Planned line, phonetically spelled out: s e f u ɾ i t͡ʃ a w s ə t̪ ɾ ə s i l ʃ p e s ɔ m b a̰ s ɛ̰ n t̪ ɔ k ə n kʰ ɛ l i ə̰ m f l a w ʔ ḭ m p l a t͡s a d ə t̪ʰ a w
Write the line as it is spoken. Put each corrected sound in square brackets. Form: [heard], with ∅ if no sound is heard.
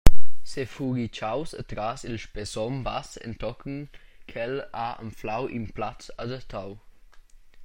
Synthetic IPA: s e f u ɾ i t͡ʃ a w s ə t̪ ɾ [a] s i l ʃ p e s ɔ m b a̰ s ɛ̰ n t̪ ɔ k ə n kʰ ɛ l [a] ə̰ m f l a w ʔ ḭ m p l a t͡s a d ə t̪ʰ a w